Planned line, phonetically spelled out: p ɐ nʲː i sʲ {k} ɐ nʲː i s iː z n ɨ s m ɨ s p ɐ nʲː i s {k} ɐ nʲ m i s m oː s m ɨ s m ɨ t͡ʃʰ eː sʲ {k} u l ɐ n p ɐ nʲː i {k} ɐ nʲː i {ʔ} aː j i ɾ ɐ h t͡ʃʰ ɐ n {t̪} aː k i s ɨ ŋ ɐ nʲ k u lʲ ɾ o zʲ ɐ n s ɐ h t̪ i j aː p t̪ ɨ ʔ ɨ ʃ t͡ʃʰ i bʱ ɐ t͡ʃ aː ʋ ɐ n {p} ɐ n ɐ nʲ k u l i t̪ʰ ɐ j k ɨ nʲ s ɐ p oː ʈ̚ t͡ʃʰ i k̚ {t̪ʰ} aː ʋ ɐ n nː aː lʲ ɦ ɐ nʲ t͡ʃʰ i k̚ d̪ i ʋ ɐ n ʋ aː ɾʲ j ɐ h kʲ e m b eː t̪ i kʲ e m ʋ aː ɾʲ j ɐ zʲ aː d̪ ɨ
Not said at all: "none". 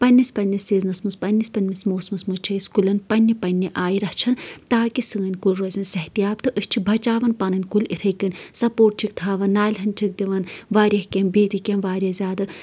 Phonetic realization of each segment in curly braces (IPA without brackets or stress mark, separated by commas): p, p, k, p, ʔ, t̪, p, t̪ʰ